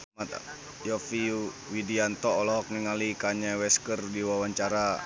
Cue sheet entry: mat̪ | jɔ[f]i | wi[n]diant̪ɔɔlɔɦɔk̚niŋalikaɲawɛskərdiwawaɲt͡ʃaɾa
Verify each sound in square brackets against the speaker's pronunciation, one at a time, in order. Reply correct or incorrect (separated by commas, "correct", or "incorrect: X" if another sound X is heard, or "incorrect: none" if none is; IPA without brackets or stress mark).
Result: correct, incorrect: none